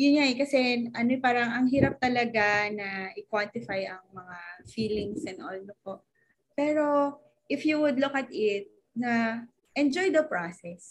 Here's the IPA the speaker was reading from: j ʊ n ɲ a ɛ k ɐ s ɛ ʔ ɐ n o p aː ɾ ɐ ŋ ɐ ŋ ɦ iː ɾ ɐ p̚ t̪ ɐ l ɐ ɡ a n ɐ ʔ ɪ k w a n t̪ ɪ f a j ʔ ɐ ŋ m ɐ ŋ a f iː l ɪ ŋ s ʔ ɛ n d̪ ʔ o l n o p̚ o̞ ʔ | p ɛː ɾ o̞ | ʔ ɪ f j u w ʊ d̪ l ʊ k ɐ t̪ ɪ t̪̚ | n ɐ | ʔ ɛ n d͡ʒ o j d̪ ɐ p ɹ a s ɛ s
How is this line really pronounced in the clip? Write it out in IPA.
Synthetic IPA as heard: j ʊ n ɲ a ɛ k ɐ s ɛ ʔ ɐ n o p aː ɾ ɐ ŋ ɐ ŋ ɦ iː ɾ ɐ p̚ t̪ ɐ l ɐ ɡ a n ɐ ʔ ɪ k w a n t̪ ɪ f a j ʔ ɐ ŋ m ɐ ŋ a f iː l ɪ ŋ s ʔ ɛ n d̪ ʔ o l n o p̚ o̞ ʔ | p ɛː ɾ o̞ | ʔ ɪ f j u w ʊ d̪ l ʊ k ɐ t̪ ɪ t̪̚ | n ɐ | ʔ ɛ n d͡ʒ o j d̪ ɐ p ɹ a s ɛ s